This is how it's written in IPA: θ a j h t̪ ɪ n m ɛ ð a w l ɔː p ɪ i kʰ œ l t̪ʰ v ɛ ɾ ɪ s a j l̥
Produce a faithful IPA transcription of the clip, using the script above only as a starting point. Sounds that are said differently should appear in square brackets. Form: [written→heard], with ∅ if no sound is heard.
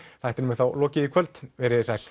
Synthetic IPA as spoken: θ a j h t̪ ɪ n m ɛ [ð→θ] a w l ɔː [p→c] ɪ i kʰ œ l [t̪ʰ→t̪] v ɛ ɾ ɪ s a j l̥